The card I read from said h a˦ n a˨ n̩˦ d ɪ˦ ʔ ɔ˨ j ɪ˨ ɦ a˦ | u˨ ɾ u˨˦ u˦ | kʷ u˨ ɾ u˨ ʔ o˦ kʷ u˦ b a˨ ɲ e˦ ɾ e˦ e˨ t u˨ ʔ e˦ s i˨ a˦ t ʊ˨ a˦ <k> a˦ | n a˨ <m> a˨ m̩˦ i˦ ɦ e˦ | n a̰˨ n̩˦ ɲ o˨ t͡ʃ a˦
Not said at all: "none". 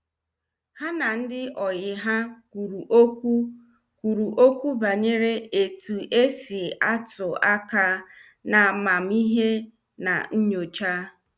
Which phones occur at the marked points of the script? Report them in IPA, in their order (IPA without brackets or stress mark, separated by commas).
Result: k, m